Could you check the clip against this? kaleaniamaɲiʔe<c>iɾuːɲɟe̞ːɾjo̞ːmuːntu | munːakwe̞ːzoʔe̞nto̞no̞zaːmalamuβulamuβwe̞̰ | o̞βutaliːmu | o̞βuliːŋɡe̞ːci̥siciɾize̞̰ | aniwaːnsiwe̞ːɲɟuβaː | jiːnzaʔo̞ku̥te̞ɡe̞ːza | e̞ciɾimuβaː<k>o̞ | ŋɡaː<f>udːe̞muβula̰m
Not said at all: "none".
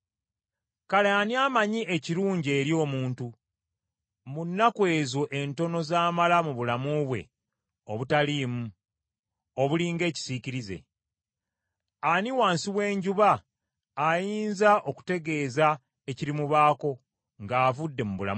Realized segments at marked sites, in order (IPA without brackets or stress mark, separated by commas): c, k, v